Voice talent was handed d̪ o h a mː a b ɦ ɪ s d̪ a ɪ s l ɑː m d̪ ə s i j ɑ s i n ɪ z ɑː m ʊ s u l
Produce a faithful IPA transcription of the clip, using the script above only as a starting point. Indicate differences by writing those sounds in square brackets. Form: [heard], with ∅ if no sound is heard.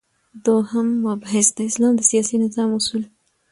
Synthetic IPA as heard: d̪ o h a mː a b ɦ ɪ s d̪ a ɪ s l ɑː m d̪ ə s i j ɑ s i n ɪ z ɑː m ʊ s u l